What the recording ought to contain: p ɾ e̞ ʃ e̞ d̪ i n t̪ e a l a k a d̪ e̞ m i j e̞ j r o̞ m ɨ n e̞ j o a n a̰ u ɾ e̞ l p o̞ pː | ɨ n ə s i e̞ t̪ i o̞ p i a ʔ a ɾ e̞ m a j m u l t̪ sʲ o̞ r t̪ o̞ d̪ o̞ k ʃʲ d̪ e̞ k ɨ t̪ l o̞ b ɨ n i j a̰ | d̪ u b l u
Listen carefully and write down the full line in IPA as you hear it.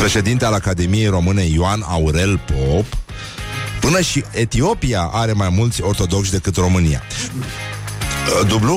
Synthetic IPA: p ɾ e̞ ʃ e̞ d̪ i n t̪ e a l a k a d̪ e̞ m i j e̞ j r o̞ m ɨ n e̞ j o a n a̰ u ɾ e̞ l p o̞ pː | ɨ n ə ʃ i e̞ t̪ i o̞ p i a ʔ a ɾ e̞ m a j m u l t̪ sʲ o̞ r t̪ o̞ d̪ o̞ k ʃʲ d̪ e̞ k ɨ t̪ r o̞ m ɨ n i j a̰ | d̪ u b l u